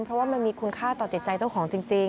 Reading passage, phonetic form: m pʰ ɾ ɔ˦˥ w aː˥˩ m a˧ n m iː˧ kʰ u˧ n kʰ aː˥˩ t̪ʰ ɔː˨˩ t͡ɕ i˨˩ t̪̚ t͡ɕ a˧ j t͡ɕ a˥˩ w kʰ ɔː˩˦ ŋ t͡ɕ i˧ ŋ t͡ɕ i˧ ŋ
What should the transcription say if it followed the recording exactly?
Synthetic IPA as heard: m pʰ ɾ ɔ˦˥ w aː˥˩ m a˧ n m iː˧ kʰ u˧ n kʰ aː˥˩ t̪ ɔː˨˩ t͡ɕ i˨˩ t̪̚ t͡ɕ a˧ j t͡ɕ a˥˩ w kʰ ɔː˩˦ ŋ t͡ɕ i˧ ŋ t͡ɕ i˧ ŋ